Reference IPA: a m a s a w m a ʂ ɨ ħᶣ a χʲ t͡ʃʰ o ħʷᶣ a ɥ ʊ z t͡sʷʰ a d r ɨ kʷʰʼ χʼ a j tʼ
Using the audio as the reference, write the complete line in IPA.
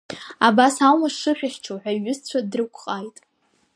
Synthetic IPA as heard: a b a s a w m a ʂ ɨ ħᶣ a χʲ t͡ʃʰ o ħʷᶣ a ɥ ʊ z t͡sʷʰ a d r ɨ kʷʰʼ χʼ a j tʼ